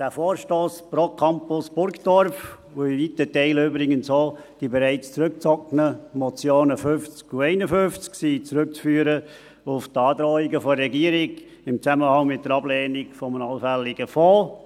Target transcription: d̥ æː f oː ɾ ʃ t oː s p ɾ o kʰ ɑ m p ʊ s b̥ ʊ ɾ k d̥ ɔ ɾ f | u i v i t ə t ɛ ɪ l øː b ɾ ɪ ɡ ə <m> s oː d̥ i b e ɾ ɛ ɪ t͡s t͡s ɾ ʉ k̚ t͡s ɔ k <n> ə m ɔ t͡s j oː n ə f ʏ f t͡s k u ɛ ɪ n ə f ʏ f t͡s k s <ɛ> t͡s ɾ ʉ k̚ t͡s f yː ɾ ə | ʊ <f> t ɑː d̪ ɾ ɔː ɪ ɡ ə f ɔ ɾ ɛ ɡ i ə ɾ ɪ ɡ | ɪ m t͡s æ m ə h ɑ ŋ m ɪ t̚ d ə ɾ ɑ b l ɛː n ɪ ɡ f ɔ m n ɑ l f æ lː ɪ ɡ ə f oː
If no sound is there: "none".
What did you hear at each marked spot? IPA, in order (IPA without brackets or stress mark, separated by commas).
n, n, i, f